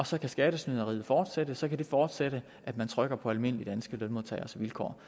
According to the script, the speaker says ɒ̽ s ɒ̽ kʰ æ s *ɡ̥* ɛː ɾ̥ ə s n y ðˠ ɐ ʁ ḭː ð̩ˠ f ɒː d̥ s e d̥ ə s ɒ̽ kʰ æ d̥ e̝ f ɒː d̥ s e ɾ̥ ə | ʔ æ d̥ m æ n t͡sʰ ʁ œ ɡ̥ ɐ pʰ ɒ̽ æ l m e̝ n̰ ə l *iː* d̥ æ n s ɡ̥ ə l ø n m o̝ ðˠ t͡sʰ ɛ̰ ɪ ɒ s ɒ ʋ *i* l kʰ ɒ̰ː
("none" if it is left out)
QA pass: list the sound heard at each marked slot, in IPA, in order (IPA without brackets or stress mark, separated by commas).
ɡ̥, i, i